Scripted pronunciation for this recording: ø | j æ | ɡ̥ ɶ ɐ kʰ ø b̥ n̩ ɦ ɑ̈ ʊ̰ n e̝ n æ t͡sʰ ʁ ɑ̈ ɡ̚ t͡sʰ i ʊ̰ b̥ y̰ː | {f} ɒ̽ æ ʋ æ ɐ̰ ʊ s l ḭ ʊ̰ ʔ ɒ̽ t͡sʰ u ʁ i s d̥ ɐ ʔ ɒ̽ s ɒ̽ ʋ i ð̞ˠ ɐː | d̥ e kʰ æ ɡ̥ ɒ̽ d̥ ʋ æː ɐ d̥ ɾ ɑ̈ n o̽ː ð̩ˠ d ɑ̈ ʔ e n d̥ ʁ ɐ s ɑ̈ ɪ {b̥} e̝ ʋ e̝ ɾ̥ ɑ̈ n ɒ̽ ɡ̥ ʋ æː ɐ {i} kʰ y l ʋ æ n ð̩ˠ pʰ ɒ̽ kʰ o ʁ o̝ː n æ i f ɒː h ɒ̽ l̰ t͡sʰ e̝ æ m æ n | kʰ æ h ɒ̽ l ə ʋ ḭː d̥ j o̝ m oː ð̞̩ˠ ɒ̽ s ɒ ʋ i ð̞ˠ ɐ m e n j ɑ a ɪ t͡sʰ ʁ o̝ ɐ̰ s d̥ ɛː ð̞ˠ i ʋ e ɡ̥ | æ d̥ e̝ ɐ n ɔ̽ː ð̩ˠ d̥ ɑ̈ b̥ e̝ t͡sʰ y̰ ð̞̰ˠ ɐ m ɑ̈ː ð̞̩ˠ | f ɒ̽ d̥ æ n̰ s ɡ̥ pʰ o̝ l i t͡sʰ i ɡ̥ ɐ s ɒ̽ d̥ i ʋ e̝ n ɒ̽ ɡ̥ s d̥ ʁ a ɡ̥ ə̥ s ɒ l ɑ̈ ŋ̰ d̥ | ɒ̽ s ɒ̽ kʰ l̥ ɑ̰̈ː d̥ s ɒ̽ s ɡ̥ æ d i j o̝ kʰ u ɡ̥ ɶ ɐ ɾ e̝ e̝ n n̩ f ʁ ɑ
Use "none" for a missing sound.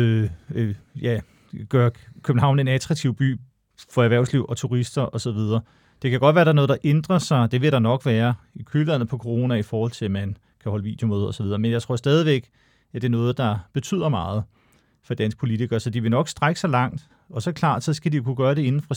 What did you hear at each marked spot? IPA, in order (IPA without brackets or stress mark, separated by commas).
f, d̥, i